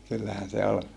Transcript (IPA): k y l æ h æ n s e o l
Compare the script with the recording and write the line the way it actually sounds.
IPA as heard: k y lː æ h æ n s e o l